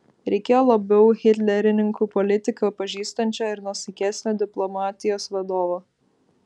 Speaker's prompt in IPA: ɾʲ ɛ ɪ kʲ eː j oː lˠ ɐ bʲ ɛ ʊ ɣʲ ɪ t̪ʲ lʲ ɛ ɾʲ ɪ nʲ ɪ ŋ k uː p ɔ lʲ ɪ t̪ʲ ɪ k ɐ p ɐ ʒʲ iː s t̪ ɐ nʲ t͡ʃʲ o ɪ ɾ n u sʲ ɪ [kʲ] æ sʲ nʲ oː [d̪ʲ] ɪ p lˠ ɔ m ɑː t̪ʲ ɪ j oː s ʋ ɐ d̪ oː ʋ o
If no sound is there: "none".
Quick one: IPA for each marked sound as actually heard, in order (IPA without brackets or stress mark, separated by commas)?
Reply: kʲ, d̪ʲ